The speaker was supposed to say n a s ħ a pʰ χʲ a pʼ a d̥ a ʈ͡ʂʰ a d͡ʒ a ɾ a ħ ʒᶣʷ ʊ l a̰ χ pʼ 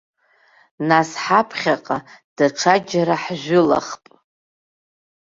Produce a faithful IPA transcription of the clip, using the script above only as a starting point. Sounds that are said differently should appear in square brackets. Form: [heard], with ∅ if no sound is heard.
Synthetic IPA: n a s ħ a pʰ χʲ a [qʼ] a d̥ a ʈ͡ʂʰ a d͡ʒ a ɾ a ħ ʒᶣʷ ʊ l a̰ χ pʼ